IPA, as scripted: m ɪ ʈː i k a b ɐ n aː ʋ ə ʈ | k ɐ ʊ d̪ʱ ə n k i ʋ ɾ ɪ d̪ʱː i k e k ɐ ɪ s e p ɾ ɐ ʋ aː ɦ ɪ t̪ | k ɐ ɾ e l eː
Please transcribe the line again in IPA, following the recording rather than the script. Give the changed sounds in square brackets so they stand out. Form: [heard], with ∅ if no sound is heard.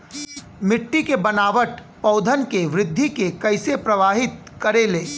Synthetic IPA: m ɪ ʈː i k [e] b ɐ n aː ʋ ə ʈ | [p] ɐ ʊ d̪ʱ ə n k [e] ʋ ɾ ɪ d̪ʱː i k e k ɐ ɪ s e p ɾ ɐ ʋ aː ɦ ɪ t̪ | k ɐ ɾ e l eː